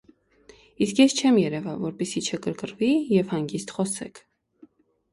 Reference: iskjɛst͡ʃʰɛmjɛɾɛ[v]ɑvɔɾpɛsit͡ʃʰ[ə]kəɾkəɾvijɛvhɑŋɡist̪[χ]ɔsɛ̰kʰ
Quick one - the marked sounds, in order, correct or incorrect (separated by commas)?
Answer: correct, correct, correct